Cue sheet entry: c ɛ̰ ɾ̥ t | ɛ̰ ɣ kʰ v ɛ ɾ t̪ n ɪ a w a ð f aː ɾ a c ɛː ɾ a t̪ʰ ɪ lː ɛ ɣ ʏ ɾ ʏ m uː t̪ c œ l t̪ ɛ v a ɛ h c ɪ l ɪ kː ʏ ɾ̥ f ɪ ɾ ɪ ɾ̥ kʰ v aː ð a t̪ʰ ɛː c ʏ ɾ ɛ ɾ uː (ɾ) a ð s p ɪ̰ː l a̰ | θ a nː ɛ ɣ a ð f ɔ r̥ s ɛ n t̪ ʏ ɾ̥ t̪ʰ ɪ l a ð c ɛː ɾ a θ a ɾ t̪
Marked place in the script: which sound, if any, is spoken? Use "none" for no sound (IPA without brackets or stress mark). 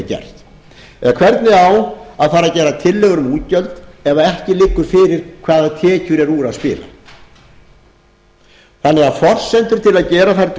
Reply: ɾ